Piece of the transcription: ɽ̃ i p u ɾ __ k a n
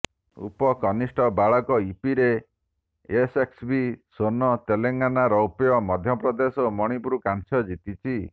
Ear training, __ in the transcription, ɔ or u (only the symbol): u